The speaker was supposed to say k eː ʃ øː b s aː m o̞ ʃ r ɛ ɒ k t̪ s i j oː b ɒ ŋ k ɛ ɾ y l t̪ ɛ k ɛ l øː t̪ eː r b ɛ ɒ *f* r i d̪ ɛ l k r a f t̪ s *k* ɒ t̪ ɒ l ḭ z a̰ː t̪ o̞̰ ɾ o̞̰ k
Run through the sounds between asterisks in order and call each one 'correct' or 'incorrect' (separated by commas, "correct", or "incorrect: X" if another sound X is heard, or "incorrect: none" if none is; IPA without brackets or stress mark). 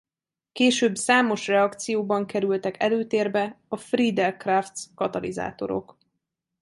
correct, correct